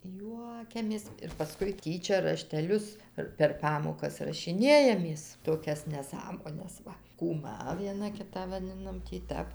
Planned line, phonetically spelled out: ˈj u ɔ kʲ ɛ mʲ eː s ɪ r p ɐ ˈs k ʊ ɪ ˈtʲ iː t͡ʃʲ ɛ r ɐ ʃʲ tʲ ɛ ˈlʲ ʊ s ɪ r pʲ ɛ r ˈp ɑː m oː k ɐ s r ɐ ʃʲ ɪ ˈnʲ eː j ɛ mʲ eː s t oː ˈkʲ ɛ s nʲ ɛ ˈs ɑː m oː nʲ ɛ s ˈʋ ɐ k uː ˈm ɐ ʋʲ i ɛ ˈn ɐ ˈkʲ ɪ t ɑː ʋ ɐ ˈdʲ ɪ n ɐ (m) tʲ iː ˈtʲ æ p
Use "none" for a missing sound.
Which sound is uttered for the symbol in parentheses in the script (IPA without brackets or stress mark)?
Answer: m